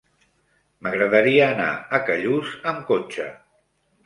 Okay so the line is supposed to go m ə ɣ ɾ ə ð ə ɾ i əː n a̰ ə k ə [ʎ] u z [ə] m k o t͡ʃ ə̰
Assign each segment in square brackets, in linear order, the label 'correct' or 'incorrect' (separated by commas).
correct, correct